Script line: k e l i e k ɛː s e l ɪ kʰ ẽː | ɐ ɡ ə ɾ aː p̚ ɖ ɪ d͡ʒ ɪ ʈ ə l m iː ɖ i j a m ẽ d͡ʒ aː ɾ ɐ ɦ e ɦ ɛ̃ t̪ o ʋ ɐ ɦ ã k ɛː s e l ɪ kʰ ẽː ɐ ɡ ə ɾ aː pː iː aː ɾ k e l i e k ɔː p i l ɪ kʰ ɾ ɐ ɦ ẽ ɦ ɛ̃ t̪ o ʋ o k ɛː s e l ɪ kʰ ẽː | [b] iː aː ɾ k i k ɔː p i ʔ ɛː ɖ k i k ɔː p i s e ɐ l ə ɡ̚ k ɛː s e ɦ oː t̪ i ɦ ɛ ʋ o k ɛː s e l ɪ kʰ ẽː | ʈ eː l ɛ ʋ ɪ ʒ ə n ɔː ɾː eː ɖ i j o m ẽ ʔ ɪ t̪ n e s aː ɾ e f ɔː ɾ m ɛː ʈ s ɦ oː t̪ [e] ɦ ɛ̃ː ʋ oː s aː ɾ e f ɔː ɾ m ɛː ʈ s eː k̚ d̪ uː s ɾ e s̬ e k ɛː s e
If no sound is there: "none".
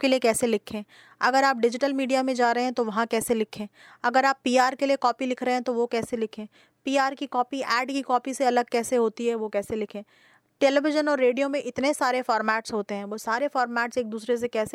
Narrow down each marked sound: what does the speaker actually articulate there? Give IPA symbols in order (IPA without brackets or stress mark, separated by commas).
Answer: p, e